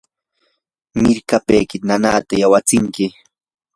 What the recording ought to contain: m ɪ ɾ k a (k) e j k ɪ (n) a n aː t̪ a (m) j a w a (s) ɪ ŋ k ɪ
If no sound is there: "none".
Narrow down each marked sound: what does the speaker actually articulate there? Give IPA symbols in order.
p, n, none, t͡s

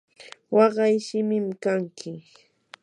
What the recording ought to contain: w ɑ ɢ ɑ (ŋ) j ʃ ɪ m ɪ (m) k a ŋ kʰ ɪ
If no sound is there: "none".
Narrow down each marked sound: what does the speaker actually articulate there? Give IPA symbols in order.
none, m

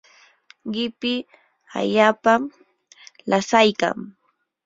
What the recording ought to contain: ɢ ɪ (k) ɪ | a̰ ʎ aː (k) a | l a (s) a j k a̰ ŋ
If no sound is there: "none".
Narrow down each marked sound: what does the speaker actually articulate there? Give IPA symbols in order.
p, p, s

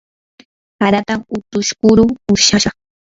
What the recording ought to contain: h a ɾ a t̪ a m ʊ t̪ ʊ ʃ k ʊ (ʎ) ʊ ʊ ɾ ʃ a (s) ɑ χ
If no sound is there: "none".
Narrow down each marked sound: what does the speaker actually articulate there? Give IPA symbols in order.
ɾ, ʃ

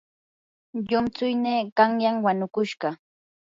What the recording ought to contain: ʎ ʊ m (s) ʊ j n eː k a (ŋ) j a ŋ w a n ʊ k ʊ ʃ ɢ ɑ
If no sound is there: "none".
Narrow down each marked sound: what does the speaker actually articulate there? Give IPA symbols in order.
t͡s, ŋ

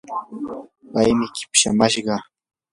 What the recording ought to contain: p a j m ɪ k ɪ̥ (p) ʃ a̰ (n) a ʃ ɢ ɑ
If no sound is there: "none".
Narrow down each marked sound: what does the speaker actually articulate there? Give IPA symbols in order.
p, m

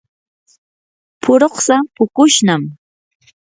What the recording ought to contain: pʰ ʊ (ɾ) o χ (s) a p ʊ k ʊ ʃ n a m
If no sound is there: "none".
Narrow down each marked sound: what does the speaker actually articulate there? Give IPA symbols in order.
ɾ, s

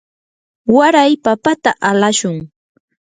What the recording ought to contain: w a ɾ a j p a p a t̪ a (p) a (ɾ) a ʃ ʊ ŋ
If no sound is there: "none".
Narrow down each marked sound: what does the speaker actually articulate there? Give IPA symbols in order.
ʔ, l

